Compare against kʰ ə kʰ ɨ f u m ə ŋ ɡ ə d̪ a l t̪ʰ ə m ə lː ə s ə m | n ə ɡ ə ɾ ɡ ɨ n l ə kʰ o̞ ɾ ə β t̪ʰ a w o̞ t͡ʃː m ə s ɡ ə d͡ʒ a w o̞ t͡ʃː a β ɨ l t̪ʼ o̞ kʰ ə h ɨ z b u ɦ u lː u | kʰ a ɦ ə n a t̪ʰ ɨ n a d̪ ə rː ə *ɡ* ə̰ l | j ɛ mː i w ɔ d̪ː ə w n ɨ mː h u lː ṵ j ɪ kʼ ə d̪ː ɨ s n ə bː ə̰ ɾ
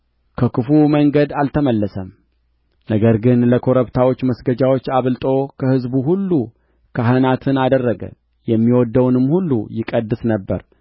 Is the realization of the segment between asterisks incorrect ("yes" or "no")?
no